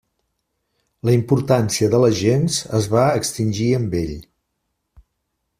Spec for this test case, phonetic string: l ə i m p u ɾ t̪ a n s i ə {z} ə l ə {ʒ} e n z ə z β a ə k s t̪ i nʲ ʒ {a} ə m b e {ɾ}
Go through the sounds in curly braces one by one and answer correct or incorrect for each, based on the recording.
incorrect, correct, incorrect, incorrect

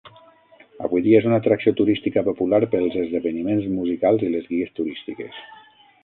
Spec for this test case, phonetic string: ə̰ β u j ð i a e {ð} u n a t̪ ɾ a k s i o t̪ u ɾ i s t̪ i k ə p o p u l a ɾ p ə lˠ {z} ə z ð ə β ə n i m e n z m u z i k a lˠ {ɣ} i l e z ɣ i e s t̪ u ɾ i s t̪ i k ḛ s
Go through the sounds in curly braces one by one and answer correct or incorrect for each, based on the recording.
incorrect, correct, incorrect

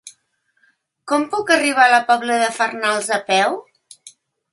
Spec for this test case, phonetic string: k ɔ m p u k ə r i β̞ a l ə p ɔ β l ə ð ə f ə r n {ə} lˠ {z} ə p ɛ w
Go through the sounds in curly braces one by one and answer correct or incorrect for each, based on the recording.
incorrect, correct

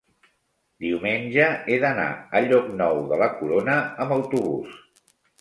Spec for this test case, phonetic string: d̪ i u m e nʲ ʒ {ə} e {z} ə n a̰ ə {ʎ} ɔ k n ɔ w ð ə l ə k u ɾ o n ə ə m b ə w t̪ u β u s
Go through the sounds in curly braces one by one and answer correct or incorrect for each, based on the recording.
correct, incorrect, correct

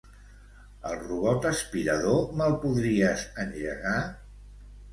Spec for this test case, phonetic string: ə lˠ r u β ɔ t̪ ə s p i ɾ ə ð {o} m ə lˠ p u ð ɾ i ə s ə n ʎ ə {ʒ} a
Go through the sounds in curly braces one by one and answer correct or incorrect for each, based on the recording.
correct, incorrect

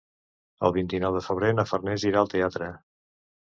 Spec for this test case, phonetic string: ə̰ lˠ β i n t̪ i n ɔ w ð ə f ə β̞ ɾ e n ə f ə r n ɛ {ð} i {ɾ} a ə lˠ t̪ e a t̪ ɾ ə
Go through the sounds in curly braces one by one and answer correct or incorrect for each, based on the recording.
incorrect, correct

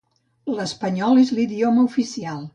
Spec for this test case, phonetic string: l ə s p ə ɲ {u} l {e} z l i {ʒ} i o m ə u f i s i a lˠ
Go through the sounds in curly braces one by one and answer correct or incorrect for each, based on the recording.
incorrect, correct, incorrect

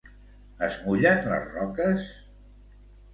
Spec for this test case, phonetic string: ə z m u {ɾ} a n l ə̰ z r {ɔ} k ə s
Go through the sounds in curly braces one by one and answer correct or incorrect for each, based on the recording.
incorrect, correct

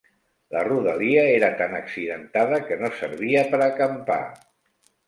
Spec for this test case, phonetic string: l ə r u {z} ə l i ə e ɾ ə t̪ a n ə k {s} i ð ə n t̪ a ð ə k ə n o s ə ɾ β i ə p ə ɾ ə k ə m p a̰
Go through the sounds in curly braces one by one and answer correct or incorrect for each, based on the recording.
incorrect, correct

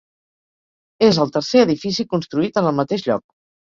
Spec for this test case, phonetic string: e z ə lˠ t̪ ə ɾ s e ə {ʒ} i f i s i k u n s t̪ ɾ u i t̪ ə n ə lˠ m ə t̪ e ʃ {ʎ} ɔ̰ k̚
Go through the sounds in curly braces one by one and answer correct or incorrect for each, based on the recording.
incorrect, correct

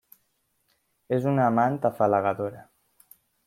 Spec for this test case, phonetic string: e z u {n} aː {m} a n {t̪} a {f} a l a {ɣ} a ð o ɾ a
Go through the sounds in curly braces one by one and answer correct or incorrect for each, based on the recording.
correct, correct, correct, correct, correct

